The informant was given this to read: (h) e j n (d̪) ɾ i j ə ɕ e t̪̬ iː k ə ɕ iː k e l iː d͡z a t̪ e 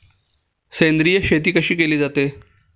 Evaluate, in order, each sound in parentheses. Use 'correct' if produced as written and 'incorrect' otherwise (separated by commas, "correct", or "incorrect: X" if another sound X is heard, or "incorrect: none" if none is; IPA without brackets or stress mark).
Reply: incorrect: s, correct